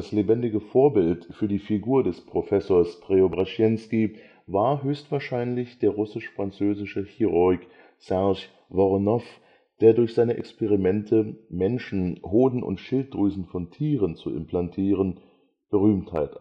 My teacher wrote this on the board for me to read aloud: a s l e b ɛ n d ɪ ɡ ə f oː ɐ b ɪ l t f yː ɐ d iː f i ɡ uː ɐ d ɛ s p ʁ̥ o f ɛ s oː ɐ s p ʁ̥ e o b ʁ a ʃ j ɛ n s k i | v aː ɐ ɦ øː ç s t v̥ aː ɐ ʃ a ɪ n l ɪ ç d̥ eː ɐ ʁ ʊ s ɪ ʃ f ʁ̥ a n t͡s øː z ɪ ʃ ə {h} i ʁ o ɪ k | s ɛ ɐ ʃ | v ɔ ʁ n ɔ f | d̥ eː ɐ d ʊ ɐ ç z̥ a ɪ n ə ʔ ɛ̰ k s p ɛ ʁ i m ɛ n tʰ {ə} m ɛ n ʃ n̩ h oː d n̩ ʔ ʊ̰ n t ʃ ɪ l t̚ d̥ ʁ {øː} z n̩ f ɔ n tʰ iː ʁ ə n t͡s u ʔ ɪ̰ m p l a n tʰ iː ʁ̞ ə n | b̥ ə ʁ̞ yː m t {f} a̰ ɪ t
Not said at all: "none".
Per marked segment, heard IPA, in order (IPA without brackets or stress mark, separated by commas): h, ə, yː, h